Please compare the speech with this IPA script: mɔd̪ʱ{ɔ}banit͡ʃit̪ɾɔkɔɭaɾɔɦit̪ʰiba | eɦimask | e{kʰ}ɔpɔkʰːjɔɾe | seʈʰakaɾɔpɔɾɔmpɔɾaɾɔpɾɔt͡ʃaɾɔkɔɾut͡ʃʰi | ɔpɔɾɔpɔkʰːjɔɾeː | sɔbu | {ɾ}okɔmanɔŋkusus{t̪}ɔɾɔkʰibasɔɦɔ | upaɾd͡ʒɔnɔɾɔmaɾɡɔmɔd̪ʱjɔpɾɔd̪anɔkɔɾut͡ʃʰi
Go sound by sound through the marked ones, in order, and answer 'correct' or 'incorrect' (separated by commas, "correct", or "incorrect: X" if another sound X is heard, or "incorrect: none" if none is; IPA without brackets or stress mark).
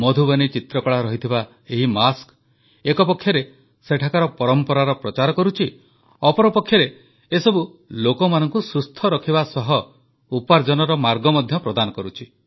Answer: incorrect: u, incorrect: k, incorrect: l, incorrect: t̪ʰ